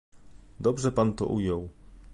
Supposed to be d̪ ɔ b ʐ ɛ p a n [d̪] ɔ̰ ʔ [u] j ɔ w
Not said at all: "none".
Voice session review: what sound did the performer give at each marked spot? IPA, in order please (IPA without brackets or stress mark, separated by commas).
t̪, u